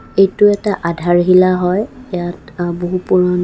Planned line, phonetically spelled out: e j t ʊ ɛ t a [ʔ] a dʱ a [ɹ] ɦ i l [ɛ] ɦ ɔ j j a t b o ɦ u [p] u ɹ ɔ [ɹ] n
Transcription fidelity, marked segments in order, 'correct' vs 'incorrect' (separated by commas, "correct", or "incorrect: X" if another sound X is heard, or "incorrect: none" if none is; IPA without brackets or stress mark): correct, correct, incorrect: a, correct, incorrect: none